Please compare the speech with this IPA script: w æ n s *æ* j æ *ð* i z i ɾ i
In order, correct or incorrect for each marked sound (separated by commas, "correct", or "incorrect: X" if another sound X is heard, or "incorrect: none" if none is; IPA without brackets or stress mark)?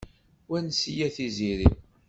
incorrect: i, incorrect: θ